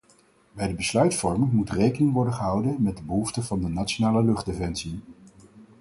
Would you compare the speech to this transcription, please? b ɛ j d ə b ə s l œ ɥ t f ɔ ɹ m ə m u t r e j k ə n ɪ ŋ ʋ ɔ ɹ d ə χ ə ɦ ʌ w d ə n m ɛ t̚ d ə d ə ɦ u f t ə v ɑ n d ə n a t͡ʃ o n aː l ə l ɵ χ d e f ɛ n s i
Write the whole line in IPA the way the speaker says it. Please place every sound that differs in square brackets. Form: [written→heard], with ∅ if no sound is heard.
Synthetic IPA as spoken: b ɛ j d ə b ə s l œ ɥ t f ɔ ɹ m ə m u t r e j k ə n ɪ ŋ ʋ ɔ ɹ d ə χ ə ɦ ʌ w d ə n m ɛ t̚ d ə [d→b] ə ɦ u f t ə v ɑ n d ə n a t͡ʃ o n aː l ə l ɵ χ d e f ɛ n s i